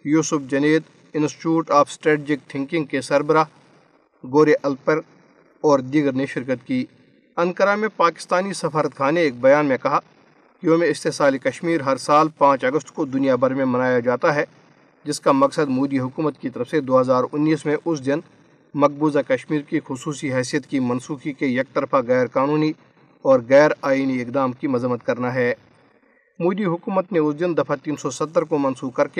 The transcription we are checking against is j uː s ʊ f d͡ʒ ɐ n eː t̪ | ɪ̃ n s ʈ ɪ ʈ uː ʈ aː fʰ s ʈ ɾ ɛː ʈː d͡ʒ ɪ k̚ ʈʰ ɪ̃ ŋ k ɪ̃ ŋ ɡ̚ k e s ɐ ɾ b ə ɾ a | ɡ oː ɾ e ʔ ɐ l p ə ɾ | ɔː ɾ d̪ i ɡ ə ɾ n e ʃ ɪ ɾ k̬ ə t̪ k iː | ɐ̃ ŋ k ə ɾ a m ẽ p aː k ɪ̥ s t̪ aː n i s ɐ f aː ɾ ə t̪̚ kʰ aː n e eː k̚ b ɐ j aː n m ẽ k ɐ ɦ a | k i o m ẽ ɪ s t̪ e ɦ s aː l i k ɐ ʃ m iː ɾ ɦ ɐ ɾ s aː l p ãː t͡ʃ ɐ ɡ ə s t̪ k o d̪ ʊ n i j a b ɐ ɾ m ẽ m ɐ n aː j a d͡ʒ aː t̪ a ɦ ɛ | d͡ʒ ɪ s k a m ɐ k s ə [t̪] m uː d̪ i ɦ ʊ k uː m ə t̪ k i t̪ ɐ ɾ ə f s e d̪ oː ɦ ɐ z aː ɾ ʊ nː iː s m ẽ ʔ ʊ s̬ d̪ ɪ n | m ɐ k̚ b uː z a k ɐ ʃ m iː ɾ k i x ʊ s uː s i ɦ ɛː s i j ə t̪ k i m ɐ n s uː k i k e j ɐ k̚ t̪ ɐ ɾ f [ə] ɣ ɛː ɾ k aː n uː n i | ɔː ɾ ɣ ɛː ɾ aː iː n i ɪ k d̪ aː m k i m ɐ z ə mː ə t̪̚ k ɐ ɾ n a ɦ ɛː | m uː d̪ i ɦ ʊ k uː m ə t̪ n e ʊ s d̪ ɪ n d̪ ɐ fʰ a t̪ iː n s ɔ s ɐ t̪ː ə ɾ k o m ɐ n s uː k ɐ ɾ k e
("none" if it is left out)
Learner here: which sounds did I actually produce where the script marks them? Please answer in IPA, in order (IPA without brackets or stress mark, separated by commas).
d̪, a